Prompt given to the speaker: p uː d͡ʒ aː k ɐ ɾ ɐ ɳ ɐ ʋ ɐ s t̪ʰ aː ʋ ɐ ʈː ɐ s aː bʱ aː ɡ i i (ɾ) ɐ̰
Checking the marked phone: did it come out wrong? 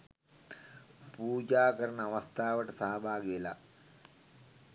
yes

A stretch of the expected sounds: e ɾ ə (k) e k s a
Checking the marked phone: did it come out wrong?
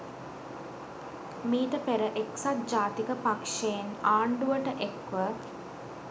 yes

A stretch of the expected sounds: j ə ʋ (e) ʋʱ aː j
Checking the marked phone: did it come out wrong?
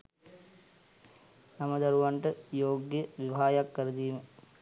yes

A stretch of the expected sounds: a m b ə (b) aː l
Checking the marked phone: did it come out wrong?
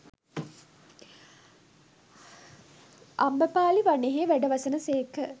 yes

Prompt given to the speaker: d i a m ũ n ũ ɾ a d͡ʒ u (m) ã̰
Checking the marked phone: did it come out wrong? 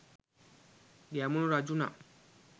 yes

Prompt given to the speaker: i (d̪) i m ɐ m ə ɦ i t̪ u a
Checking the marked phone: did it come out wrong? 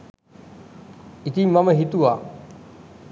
yes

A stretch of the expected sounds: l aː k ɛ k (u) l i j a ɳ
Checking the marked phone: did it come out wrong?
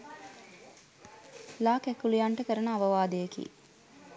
no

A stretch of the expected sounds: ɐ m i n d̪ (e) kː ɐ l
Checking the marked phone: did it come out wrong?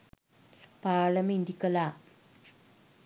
yes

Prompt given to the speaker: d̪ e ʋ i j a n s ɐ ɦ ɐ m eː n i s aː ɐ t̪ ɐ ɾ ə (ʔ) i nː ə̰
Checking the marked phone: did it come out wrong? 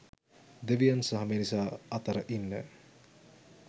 no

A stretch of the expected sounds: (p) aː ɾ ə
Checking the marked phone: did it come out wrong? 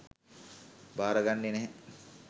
yes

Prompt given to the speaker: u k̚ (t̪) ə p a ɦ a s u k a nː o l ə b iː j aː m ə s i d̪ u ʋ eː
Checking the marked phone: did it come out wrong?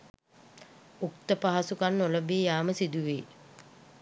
no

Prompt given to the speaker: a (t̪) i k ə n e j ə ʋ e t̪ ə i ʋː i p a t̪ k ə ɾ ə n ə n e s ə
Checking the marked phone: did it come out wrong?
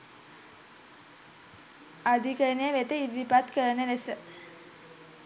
yes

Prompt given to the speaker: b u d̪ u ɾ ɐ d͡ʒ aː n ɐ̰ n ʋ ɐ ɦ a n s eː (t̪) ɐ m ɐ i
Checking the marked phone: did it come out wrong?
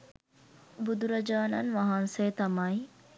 no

